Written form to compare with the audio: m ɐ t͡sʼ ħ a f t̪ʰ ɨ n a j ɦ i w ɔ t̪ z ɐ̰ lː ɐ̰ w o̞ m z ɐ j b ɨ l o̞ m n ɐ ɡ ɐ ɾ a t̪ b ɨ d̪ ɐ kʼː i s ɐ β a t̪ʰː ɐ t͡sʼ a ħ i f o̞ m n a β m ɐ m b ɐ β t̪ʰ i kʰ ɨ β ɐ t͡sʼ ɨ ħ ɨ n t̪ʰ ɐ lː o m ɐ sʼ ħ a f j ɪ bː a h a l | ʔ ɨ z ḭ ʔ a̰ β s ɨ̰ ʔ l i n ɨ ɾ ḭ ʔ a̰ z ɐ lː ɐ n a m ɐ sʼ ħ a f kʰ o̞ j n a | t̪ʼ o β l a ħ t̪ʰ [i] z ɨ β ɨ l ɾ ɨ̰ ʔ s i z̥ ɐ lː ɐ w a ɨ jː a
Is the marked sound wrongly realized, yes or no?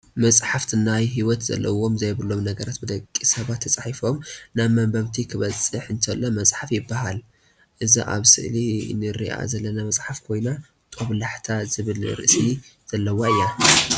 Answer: yes